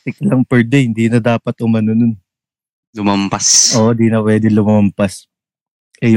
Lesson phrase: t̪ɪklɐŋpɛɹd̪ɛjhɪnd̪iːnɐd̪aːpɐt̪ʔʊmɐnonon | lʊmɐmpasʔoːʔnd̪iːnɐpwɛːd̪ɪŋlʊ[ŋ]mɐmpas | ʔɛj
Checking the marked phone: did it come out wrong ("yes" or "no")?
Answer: yes